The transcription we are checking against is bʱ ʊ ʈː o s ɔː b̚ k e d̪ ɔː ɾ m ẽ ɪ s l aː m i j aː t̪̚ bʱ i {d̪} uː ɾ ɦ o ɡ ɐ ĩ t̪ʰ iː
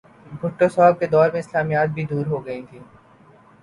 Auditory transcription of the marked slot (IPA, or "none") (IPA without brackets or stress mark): d̪